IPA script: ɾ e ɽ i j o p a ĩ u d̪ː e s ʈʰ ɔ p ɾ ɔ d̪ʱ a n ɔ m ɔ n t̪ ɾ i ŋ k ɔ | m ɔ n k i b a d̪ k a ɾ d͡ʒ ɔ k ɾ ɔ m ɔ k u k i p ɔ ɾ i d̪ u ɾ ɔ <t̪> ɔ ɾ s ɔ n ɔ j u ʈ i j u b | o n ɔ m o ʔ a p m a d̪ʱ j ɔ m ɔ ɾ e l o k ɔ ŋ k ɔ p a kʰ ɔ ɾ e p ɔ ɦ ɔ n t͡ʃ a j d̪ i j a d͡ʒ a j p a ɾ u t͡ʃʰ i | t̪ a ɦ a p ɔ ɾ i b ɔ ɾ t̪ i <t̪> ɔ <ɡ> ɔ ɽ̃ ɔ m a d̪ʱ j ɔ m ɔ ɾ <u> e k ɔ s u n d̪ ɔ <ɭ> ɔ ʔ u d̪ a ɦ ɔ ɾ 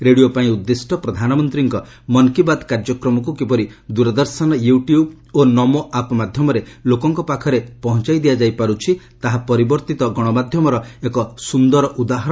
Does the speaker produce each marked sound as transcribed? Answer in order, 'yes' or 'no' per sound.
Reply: no, yes, yes, no, no

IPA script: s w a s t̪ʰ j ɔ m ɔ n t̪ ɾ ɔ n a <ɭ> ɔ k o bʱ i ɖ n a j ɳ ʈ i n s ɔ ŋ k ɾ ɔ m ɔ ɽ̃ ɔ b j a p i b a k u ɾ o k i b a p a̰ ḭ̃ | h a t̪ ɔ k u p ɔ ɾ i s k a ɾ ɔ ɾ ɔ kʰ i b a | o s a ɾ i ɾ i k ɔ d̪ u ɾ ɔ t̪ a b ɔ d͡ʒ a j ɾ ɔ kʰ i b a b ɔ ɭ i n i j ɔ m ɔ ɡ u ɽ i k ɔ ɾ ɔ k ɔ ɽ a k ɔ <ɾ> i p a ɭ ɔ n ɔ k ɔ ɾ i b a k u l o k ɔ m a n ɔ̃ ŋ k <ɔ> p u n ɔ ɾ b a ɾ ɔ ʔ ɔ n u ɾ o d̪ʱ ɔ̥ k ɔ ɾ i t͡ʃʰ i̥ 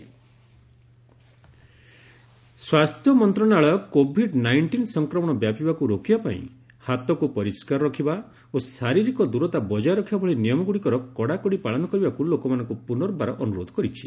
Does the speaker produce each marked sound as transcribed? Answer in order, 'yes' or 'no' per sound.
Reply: yes, no, no

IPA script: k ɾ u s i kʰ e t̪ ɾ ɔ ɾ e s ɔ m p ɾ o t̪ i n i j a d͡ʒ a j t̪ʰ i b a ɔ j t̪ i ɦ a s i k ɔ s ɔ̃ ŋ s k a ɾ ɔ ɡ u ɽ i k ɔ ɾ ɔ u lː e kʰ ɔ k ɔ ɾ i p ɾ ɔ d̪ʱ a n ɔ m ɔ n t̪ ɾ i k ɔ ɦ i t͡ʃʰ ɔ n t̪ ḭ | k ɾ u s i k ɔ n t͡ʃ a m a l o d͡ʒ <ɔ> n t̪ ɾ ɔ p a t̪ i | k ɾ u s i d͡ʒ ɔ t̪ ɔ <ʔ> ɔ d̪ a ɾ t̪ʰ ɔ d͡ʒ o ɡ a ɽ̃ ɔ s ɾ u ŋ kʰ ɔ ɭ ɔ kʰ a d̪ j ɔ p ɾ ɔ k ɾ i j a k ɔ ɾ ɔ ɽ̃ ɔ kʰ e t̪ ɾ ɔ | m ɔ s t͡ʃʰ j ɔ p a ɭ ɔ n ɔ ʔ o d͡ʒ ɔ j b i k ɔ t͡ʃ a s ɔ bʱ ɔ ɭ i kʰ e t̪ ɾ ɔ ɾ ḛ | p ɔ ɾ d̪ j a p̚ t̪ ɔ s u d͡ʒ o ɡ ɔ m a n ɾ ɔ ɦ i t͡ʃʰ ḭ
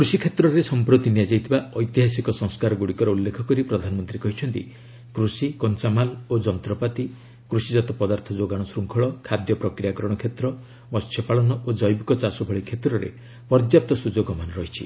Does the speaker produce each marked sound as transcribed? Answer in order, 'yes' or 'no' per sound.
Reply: yes, no

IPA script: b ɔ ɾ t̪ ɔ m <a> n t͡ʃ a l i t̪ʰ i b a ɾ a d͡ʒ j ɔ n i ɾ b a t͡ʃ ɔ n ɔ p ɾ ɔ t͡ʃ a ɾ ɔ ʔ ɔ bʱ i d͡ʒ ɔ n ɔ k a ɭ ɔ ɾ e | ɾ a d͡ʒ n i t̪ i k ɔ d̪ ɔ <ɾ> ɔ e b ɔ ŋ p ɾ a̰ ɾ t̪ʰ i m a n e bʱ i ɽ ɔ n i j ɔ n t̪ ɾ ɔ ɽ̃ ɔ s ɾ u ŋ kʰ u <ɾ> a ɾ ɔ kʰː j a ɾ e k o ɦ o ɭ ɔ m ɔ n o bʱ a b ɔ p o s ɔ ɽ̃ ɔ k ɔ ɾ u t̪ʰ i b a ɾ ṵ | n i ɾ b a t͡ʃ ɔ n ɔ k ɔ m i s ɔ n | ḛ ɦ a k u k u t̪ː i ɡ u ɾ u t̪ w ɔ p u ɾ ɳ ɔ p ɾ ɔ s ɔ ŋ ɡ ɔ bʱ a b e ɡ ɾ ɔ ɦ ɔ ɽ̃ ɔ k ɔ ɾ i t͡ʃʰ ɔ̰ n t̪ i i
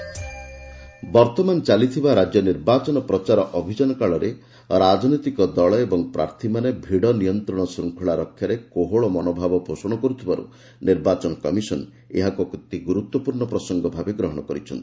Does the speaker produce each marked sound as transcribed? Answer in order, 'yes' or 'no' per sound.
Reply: yes, no, no

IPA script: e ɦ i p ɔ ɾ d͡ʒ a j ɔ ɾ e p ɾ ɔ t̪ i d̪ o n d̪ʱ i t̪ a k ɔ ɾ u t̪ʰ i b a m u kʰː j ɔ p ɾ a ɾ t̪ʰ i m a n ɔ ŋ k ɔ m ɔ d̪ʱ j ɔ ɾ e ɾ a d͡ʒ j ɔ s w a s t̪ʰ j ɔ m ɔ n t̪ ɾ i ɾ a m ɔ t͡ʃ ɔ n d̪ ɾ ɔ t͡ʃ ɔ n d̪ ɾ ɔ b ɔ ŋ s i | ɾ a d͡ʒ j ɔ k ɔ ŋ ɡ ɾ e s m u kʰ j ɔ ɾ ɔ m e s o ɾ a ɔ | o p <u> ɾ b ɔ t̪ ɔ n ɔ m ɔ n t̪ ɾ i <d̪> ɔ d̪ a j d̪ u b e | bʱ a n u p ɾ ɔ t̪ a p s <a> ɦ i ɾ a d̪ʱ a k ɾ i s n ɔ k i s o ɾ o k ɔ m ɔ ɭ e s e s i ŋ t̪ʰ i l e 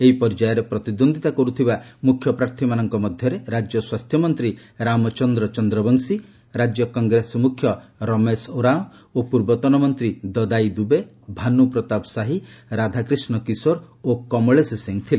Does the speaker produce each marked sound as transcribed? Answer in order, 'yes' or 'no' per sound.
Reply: yes, yes, yes

